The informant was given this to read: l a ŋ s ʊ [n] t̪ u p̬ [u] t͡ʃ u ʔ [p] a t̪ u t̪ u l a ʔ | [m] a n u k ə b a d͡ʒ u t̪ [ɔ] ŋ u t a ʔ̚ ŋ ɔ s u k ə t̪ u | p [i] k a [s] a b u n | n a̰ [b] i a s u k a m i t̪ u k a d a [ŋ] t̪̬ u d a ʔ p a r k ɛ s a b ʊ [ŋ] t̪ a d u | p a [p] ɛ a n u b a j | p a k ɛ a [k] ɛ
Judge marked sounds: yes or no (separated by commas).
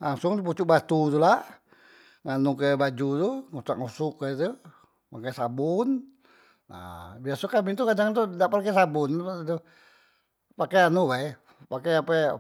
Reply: no, yes, no, no, no, no, yes, yes, yes, no, no, no